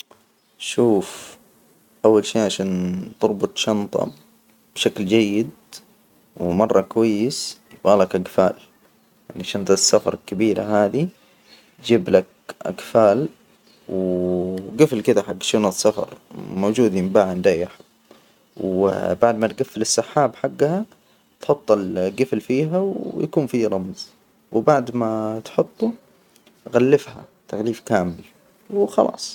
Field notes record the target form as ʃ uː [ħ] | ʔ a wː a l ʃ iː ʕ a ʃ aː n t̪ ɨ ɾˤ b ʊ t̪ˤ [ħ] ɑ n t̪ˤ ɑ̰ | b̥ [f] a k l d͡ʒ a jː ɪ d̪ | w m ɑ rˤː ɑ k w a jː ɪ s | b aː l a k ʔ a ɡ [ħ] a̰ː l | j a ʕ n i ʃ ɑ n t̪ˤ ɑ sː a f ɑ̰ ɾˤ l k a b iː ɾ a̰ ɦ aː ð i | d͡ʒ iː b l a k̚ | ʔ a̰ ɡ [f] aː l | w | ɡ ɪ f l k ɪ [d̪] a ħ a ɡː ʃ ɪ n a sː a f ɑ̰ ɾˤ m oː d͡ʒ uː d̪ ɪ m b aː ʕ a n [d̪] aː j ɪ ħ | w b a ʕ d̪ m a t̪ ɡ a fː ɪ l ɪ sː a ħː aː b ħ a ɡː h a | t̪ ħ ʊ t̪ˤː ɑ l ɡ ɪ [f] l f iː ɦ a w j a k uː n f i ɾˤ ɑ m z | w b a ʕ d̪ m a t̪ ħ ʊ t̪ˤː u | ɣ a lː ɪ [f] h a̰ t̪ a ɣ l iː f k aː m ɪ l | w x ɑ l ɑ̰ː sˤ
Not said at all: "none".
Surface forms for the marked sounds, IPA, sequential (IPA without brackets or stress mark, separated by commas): f, ʃ, ʃ, f, f, d̪, d̪, f, f